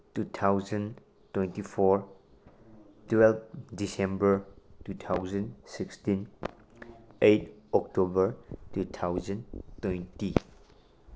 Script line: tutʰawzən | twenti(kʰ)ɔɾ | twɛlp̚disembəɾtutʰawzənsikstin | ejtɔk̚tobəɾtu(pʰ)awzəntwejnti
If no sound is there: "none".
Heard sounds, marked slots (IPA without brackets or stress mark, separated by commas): pʰ, tʰ